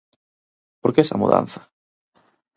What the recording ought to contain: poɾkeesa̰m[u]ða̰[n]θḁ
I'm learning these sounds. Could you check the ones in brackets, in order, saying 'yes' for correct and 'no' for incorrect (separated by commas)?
yes, yes